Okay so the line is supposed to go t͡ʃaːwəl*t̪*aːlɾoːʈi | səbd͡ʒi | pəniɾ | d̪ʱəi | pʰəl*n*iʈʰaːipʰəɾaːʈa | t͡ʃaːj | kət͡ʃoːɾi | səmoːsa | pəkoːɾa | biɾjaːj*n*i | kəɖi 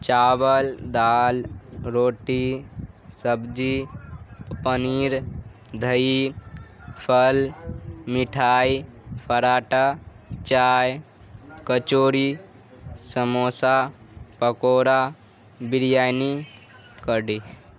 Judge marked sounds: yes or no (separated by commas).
no, no, yes